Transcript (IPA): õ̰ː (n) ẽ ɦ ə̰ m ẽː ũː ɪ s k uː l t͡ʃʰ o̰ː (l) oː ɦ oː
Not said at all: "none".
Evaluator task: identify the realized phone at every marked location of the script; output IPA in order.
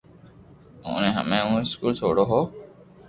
n, ɽ

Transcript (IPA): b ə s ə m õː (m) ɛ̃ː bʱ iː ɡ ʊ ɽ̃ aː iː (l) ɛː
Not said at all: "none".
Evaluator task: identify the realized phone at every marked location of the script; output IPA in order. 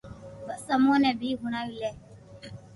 n, l

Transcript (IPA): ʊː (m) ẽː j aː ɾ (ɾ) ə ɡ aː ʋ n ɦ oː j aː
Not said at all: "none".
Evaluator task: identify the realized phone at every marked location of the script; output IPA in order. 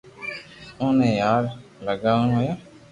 n, l

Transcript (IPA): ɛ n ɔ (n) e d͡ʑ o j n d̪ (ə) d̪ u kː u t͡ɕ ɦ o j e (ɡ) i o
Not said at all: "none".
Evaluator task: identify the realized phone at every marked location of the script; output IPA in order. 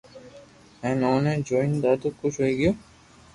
n, a, ɡ

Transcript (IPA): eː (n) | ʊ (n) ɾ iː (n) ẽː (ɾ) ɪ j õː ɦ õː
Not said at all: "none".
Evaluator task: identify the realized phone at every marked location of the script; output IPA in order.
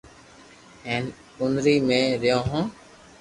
n, n, m, ɾ

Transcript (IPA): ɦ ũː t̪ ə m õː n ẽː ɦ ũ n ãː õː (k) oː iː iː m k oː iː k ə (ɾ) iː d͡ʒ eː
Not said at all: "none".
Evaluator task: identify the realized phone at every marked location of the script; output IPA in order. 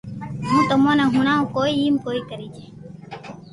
k, ɾ

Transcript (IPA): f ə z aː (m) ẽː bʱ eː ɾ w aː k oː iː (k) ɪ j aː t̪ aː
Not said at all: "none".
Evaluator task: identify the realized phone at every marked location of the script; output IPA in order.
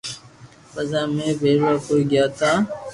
m, ɡ

